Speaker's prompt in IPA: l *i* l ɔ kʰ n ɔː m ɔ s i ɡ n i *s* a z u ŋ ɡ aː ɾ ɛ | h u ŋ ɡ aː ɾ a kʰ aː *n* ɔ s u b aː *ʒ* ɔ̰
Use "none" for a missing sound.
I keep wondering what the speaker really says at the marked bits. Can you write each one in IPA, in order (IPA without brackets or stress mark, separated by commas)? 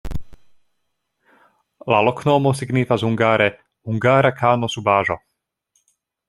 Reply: a, f, n, ʒ